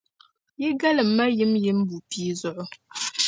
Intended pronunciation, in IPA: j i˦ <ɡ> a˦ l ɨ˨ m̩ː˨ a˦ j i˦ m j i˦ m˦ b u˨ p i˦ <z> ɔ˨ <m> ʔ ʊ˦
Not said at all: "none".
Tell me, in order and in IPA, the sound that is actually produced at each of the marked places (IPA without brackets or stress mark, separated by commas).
ɡ, z, none